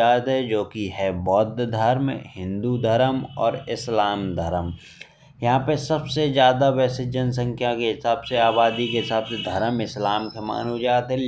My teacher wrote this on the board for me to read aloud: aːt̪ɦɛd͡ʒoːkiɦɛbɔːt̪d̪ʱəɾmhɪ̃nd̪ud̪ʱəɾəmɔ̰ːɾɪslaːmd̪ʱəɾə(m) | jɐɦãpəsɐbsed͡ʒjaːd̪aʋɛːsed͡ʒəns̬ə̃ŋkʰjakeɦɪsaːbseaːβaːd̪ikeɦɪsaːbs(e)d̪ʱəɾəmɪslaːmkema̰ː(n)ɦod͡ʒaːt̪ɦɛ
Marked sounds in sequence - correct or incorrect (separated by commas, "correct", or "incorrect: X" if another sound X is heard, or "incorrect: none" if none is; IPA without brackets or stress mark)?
correct, correct, correct